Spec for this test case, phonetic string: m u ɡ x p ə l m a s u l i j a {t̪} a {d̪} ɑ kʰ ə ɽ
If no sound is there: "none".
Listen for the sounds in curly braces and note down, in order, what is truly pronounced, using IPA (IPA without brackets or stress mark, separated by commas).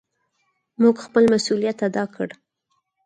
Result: t̪, d̪